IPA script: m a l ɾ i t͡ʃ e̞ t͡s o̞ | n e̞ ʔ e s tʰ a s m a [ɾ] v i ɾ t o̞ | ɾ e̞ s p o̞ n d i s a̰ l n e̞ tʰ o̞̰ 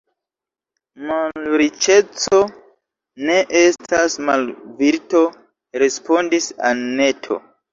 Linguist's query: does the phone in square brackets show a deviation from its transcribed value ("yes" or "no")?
yes